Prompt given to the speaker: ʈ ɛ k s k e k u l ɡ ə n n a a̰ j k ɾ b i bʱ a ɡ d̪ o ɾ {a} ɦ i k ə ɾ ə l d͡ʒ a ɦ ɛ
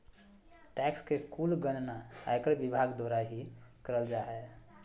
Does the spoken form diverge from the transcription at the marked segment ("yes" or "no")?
no